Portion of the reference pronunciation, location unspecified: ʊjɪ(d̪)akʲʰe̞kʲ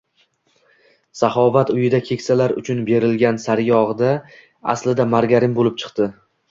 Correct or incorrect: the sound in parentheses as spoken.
correct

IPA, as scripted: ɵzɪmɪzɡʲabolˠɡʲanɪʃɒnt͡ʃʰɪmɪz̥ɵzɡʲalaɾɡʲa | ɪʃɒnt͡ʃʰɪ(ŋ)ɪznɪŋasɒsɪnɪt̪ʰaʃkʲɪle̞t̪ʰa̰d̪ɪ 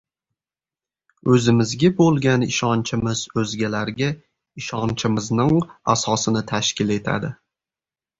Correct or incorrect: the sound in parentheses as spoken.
incorrect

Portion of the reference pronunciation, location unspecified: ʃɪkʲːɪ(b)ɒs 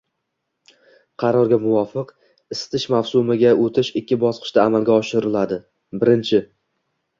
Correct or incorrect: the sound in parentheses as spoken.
correct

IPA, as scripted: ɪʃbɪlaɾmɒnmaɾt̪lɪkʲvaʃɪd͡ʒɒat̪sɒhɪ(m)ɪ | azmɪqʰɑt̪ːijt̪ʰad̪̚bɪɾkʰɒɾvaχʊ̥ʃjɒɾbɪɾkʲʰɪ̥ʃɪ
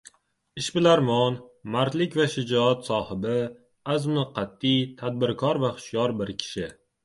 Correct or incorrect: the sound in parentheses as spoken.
incorrect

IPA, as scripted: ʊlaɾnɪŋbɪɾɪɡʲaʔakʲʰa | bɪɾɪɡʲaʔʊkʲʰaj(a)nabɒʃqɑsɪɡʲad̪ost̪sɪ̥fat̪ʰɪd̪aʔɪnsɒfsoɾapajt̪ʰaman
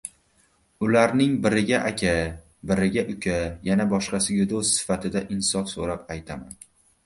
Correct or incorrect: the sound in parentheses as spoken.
correct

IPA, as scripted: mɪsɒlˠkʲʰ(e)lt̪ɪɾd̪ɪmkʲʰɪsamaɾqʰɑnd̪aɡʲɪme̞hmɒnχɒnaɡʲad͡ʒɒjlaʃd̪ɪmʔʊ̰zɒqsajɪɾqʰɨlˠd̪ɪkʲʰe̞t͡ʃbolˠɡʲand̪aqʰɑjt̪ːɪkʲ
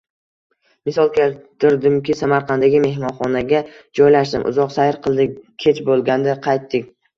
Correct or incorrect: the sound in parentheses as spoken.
correct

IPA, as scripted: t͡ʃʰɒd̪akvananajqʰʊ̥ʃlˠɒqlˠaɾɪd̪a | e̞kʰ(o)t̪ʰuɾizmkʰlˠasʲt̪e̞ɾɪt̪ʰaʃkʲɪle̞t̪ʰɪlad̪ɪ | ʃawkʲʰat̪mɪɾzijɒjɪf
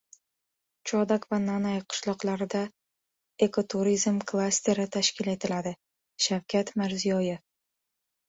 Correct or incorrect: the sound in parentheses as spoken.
correct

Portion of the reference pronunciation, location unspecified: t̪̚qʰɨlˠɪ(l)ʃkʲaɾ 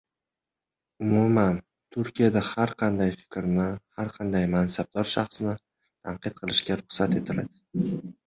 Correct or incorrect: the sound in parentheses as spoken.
incorrect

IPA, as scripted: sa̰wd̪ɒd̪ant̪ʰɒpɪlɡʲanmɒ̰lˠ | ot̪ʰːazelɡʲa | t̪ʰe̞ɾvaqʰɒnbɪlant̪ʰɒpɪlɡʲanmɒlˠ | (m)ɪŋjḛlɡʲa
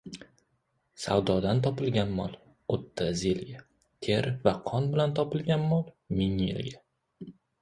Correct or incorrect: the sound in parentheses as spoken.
correct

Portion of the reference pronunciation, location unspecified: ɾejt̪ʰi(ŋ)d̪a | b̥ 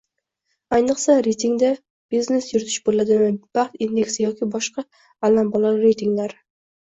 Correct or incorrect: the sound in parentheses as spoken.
correct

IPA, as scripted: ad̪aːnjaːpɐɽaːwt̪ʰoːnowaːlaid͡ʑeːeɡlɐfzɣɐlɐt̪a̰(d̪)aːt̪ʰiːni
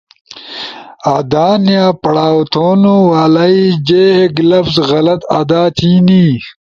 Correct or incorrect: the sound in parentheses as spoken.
correct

